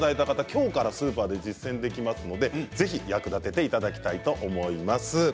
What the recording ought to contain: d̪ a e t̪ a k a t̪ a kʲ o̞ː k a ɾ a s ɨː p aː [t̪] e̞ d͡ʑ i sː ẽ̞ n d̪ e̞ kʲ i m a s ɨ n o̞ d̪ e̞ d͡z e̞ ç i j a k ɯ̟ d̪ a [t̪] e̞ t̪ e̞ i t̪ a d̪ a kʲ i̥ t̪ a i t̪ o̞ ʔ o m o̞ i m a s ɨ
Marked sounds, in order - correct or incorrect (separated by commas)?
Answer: incorrect, correct